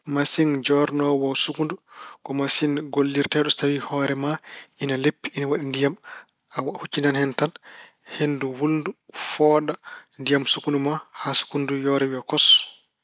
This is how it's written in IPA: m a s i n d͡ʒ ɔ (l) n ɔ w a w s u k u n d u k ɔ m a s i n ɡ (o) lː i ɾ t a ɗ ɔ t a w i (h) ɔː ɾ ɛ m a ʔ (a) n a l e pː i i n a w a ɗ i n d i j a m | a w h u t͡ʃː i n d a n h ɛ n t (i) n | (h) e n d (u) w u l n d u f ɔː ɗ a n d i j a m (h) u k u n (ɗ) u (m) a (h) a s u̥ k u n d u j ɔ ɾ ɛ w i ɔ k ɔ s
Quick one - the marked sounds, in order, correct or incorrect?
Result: incorrect, correct, correct, incorrect, incorrect, correct, correct, incorrect, incorrect, correct, correct

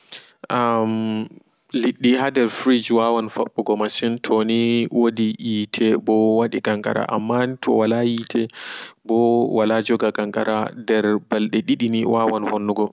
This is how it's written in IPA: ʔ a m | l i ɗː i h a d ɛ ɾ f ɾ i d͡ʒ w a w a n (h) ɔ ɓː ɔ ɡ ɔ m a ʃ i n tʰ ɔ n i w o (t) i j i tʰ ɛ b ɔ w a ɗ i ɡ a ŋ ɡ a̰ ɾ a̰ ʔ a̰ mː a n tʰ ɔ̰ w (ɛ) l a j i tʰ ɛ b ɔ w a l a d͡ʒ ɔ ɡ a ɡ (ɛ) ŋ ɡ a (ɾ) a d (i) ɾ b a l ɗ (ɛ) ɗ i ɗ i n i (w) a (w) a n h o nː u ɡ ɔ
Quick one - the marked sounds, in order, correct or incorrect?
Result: incorrect, incorrect, incorrect, incorrect, correct, incorrect, correct, correct, correct

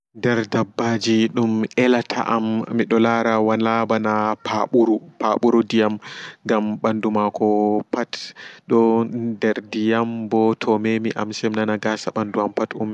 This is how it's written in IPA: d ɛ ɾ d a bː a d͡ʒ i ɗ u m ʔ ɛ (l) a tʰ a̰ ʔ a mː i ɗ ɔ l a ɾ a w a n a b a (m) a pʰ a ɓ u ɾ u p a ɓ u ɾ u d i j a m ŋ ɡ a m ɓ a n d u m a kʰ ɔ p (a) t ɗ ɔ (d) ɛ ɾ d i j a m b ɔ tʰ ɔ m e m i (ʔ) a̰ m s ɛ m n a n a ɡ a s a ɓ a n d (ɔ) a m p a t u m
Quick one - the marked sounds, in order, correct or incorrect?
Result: correct, incorrect, correct, correct, correct, incorrect

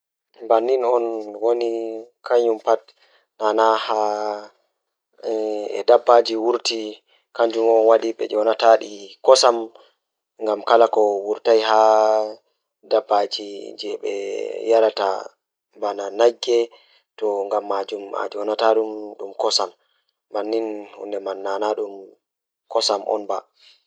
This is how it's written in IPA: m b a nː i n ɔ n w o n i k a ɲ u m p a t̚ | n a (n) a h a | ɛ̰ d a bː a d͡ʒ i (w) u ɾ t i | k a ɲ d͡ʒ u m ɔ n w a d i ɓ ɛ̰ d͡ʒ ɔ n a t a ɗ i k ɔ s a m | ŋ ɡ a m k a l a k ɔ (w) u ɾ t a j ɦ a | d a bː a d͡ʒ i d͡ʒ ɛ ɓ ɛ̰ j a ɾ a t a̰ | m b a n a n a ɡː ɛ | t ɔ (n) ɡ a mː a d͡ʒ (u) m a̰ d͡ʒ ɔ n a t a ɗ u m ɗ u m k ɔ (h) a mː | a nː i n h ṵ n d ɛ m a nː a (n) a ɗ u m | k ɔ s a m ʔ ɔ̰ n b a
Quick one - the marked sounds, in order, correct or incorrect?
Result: correct, correct, correct, incorrect, correct, incorrect, correct

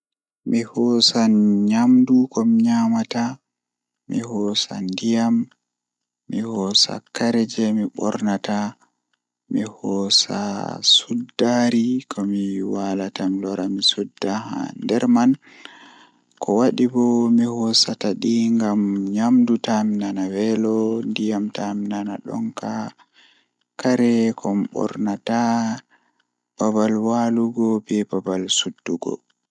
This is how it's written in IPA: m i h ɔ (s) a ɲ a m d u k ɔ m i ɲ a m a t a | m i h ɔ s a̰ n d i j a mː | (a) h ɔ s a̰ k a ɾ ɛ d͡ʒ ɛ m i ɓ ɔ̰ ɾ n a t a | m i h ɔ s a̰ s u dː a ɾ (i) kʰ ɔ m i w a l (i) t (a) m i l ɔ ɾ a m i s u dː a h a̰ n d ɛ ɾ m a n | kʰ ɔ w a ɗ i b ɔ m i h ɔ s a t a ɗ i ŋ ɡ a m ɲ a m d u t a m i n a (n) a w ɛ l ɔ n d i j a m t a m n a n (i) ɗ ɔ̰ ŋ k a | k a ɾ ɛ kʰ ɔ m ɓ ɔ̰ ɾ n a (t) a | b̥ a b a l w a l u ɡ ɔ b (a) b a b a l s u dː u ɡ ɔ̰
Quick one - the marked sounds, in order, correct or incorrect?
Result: correct, incorrect, correct, incorrect, correct, correct, incorrect, correct, incorrect

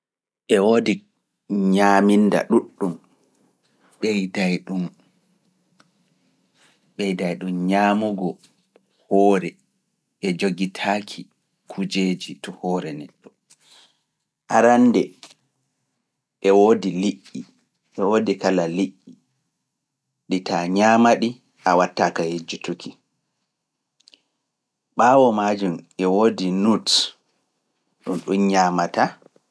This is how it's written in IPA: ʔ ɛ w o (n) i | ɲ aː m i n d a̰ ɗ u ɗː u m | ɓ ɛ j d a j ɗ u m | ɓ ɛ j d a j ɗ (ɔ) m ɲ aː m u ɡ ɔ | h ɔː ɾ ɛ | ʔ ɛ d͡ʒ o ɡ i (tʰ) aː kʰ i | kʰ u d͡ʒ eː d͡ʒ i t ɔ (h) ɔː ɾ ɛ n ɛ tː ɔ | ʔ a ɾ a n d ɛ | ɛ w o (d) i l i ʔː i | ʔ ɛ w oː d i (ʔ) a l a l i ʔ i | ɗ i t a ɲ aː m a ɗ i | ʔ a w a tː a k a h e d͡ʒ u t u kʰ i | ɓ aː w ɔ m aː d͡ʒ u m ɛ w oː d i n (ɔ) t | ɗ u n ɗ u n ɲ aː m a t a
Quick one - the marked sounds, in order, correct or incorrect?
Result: incorrect, incorrect, correct, correct, correct, incorrect, incorrect

